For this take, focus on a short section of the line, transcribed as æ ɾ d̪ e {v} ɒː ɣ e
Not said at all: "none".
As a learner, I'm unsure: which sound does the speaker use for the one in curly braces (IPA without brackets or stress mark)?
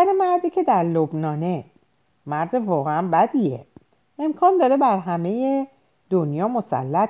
v